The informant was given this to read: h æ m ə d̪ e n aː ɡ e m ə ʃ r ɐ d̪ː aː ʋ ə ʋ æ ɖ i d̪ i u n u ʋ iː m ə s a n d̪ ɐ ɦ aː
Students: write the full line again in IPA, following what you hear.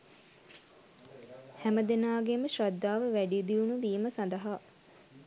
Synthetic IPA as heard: h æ m ə d̪ e n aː ɡ e m ə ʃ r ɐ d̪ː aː ʋ ə ʋ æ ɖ i d̪ i u n u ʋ iː m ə s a n d̪ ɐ ɦ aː